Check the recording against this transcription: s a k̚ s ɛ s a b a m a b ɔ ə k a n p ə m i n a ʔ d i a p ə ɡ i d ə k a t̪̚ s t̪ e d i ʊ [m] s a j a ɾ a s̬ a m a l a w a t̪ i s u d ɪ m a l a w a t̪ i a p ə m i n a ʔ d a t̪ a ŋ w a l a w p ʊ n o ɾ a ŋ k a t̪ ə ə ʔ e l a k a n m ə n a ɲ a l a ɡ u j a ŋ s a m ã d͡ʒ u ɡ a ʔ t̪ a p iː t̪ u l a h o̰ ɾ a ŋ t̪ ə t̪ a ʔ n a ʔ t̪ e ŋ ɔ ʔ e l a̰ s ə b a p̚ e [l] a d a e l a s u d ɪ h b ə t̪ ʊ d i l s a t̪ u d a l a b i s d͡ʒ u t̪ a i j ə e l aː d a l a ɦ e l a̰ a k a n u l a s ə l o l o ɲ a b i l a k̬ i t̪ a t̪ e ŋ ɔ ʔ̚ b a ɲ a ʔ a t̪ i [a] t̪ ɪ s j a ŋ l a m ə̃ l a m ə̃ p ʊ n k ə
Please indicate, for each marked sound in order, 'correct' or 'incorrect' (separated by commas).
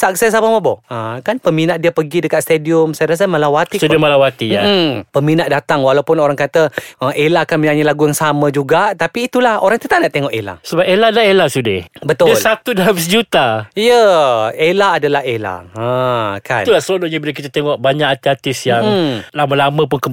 correct, correct, correct